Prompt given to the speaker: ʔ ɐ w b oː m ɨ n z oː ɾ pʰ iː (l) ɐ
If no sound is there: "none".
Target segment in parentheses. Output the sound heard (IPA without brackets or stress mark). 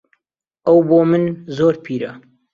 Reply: ɾ